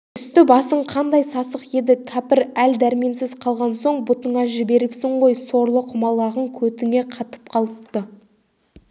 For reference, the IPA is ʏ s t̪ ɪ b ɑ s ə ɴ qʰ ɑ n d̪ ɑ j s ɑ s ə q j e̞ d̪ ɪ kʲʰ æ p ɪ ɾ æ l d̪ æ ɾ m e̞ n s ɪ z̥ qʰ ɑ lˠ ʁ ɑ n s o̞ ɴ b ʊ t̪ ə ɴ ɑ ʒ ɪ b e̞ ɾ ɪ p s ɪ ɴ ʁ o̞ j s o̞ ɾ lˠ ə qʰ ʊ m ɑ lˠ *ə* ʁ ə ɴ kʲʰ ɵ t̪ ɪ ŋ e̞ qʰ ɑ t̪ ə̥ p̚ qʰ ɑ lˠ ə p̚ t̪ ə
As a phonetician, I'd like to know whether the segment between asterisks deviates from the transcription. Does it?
yes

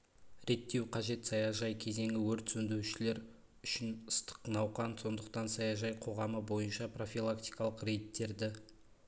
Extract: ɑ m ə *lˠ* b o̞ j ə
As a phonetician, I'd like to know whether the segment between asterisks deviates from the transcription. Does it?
yes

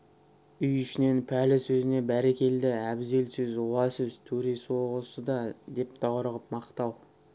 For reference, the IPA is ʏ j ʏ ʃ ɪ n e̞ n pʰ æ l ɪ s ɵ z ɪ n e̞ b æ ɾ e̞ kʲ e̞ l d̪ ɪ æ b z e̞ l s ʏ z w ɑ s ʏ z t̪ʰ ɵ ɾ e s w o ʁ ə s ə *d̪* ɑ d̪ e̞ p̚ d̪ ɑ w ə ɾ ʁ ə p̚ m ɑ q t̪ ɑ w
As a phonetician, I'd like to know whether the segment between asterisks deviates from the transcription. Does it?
no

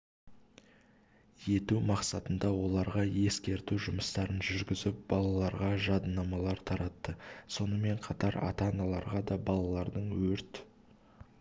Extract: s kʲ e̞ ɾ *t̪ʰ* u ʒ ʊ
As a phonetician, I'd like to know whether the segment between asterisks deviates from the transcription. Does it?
yes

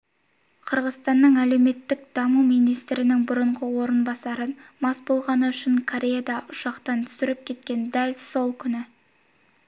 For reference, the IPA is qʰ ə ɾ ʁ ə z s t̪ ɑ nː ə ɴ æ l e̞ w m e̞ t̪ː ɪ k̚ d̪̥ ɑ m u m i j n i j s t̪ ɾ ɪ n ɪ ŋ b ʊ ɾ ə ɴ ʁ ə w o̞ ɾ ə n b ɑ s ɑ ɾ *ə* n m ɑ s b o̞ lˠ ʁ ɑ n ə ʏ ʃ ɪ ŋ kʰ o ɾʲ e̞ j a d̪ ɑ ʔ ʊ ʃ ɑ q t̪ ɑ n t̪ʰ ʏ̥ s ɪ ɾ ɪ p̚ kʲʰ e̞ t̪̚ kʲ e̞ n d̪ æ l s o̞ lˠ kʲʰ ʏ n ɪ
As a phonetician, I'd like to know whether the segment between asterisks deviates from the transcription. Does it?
no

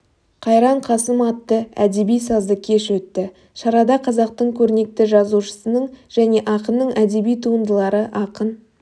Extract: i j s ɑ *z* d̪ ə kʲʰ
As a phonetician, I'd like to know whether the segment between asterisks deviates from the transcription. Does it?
no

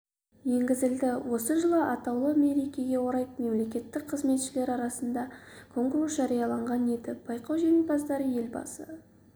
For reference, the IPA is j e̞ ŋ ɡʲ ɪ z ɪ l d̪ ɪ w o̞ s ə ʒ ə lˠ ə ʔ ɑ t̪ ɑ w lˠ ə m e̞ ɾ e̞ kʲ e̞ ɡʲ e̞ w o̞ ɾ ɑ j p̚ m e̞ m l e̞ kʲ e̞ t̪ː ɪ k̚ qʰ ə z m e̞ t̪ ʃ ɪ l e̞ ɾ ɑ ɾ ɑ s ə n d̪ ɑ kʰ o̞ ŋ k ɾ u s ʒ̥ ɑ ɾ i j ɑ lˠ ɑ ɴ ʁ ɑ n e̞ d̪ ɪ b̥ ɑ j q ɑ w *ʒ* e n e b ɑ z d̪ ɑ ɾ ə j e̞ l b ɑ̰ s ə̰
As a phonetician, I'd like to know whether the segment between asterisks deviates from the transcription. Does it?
no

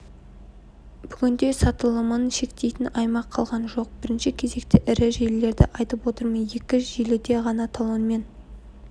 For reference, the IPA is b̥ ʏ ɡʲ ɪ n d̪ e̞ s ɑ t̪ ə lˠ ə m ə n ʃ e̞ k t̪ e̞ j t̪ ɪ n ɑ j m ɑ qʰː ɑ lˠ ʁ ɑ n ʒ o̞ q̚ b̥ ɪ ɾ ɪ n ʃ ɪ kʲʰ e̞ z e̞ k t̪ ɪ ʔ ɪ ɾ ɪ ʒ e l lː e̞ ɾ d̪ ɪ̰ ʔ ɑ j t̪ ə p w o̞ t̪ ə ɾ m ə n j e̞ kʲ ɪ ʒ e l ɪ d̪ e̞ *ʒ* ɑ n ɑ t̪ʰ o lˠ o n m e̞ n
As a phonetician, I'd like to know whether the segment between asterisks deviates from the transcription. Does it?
yes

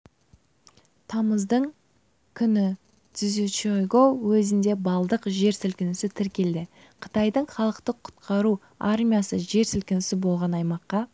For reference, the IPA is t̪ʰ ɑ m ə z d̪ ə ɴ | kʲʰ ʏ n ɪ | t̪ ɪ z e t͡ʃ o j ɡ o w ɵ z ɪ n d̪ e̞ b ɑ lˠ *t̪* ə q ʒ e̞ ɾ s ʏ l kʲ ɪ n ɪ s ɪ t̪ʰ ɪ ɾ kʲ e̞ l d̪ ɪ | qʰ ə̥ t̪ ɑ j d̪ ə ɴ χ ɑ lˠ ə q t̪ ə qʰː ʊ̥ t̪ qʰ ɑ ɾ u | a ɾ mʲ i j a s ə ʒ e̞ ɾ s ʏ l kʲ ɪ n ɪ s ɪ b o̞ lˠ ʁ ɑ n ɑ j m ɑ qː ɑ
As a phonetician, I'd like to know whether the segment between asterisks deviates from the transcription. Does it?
yes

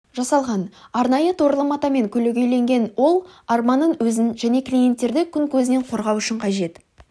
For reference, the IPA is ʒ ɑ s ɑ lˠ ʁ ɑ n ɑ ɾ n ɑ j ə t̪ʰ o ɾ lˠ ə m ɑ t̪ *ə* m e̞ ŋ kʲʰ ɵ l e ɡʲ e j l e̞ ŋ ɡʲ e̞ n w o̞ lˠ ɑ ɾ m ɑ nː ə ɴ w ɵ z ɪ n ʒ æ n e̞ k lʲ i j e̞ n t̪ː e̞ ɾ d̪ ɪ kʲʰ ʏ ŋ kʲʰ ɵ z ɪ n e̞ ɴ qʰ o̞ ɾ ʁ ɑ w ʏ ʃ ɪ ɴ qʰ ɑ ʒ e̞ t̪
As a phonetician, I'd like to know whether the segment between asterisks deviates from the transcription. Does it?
yes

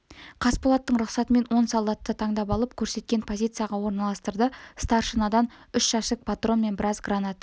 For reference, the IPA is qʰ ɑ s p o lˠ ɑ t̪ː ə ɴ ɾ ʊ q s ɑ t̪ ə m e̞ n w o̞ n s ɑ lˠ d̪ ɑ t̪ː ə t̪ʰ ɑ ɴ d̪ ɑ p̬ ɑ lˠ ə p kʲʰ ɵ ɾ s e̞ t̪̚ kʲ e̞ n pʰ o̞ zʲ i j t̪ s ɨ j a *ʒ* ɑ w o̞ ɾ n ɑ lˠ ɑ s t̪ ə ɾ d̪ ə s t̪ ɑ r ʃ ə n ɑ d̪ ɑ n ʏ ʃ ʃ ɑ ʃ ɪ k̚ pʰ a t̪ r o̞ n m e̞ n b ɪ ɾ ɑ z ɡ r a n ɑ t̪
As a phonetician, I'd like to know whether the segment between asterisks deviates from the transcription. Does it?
yes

